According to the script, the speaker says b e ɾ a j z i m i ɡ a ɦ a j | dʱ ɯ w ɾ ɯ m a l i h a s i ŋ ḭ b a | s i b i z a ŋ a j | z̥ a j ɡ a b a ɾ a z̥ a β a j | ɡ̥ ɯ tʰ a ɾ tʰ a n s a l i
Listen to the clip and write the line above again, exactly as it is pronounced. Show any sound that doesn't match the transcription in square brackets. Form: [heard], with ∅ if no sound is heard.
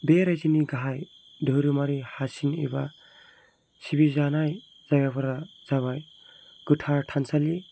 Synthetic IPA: b e ɾ a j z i [n] i ɡ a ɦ a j | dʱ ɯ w ɾ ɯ m a [ɾ] i h a s i [n] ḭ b a | s i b i z a [n] a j | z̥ a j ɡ a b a ɾ a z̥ a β a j | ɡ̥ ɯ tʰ a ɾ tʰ a n s a l i